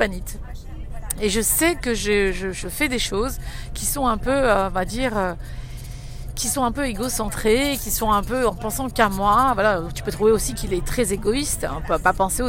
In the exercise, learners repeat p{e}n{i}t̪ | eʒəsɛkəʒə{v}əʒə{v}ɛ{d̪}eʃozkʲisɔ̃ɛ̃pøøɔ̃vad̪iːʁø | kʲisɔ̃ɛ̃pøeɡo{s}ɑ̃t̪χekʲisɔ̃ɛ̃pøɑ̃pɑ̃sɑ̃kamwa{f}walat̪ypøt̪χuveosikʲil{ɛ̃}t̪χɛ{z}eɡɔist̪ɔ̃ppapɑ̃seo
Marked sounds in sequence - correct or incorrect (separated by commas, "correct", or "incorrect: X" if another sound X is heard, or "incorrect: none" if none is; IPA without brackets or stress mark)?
incorrect: a, correct, incorrect: ʒ, incorrect: f, correct, correct, incorrect: v, incorrect: ɛ, correct